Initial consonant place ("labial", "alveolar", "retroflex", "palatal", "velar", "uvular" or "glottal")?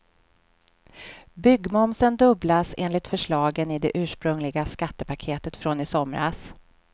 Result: labial